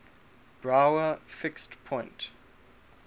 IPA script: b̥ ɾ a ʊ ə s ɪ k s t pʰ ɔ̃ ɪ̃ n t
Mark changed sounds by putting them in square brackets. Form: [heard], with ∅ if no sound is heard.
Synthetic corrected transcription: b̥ [ɹ] a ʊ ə [f] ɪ k s t pʰ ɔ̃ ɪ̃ n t